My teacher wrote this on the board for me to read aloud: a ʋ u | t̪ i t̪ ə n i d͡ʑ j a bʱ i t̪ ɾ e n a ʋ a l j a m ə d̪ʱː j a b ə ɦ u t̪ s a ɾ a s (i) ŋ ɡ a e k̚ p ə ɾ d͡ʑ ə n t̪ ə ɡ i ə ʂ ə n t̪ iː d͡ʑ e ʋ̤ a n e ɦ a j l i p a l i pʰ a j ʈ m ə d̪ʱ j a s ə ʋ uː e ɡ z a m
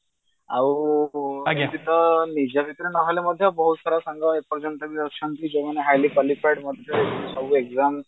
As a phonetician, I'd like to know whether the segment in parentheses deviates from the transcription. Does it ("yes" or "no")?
yes